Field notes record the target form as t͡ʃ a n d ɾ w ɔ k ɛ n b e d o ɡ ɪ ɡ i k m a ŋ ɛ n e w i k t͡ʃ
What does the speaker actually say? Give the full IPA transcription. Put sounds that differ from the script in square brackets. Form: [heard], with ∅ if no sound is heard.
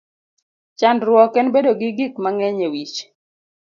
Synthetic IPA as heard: t͡ʃ a n d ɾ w ɔ k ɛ n b e d o ɡ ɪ ɡ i k m a ŋ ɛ [ɲ] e w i [∅] t͡ʃ